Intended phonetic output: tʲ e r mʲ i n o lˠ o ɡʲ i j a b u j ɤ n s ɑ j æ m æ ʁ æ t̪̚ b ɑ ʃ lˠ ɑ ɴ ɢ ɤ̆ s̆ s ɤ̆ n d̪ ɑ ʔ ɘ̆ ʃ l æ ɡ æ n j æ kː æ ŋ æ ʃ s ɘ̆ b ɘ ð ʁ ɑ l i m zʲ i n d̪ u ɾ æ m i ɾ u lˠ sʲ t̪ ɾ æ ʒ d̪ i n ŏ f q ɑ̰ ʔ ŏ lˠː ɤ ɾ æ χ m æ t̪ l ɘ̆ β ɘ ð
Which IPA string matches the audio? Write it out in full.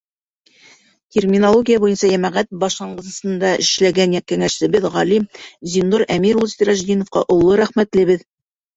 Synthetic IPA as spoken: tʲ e r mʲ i n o lˠ o ɡʲ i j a b u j ɤ n s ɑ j æ m æ ʁ æ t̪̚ b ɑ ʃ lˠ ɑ ɴ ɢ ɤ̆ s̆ s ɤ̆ n d̪ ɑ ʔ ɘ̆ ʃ l æ ɡ æ n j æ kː æ ŋ æ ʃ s ɘ̆ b ɘ ð ʁ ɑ l i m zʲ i n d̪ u ɾ æ m i ɾ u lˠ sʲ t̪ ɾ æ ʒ d̪ i n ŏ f q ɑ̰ ʔ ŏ lˠː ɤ ɾ æ χ m æ t̪ l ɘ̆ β ɘ ð